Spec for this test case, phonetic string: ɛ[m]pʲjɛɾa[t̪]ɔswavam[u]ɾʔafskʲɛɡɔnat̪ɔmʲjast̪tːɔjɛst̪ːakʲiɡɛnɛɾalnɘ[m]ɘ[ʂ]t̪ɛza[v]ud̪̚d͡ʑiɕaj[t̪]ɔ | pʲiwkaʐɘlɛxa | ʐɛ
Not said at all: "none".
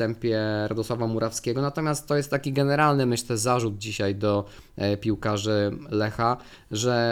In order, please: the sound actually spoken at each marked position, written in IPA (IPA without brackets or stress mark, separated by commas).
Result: m, d̪, u, m, ɕ, ʐ, d̪